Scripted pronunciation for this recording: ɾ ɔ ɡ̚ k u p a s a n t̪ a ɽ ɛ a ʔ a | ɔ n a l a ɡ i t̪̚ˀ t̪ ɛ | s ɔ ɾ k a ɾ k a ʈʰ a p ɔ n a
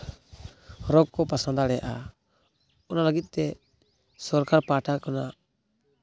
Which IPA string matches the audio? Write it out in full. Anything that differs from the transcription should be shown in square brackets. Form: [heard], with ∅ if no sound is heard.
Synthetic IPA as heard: ɾ ɔ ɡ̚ k [ɔ] p a s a n [d̪] a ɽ ɛ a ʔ a | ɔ n a l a ɡ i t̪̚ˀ t̪ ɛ | s ɔ ɾ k a ɾ [p] a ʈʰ a [k] ɔ n a